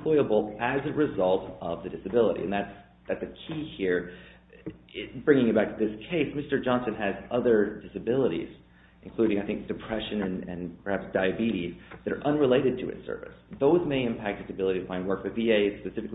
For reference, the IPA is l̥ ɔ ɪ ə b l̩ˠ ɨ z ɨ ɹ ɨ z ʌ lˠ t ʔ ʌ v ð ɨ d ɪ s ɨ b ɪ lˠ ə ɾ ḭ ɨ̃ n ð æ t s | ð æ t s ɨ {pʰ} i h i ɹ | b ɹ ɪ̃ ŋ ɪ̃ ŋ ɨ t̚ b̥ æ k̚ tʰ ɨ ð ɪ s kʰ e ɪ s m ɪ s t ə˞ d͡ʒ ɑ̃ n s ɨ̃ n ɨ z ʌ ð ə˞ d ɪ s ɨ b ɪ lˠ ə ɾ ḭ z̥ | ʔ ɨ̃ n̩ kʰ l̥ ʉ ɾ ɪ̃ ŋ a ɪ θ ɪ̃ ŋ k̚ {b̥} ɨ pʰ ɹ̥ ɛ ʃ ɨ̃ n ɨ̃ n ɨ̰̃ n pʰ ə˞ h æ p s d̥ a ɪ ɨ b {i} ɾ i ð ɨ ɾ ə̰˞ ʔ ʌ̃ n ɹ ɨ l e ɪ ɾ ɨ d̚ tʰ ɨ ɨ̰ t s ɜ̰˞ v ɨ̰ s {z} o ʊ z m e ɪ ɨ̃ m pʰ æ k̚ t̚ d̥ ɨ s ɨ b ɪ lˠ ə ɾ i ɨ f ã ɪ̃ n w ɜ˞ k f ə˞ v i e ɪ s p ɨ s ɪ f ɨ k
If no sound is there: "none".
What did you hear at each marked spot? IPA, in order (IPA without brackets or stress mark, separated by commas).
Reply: kʰ, d̥, i, ð